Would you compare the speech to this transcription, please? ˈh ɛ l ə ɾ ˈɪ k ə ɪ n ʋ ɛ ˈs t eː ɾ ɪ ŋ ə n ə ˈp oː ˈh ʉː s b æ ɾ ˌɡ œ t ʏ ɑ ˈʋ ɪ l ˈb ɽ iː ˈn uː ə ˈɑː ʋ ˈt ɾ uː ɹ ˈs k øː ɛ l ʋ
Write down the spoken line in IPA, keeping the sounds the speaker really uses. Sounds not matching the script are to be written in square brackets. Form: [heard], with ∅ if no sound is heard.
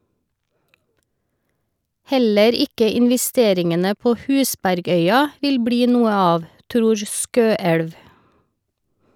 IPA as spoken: ˈh ɛ l ə ɾ ˈɪ k ə ɪ n ʋ ɛ ˈs t eː ɾ ɪ ŋ ə n ə ˈp oː ˈh ʉː s b æ ɾ ˌɡ œ [∅] ʏ ɑ ˈʋ ɪ l ˈb ɽ iː ˈn uː ə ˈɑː ʋ ˈt ɾ uː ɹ ˈs k øː ɛ [ɽ] ʋ